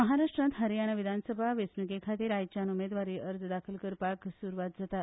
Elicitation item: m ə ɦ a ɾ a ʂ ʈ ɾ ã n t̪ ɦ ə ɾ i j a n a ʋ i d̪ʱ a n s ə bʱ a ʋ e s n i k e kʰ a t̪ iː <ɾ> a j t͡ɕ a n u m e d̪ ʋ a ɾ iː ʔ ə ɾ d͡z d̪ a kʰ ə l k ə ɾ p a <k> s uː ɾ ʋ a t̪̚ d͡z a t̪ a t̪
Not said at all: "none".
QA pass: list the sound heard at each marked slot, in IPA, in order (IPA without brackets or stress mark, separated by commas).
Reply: ɾ, k